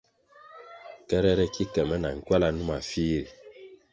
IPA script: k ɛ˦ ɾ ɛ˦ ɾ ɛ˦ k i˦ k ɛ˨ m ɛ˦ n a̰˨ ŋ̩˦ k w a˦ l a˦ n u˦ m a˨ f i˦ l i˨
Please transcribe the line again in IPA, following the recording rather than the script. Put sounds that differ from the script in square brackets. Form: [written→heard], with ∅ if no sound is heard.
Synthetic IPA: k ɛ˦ ɾ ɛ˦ ɾ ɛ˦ k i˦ k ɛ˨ m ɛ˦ n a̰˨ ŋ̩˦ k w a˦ l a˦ n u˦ m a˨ f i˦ [l→ɾ] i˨